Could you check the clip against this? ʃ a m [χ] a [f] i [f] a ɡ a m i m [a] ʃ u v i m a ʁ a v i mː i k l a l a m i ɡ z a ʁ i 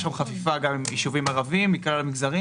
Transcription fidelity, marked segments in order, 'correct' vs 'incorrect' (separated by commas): correct, correct, correct, incorrect